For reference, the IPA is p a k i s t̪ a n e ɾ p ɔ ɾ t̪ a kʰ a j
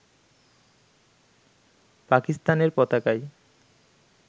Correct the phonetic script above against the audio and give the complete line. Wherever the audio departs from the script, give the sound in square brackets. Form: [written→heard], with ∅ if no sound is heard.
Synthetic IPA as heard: p a k i s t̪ a n e ɾ p ɔ [ɾ→∅] t̪ a [kʰ→k] a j